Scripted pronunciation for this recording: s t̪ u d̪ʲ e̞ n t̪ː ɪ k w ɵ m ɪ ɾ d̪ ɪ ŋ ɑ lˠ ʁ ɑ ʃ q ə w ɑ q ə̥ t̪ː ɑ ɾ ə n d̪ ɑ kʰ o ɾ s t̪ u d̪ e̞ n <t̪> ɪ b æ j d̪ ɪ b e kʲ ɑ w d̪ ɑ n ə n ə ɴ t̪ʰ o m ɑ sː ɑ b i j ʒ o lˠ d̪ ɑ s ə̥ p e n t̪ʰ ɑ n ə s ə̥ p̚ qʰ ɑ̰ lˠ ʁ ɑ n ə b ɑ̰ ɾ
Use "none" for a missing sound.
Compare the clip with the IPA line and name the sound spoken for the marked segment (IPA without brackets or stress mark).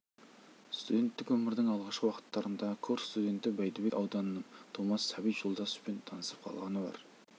t̪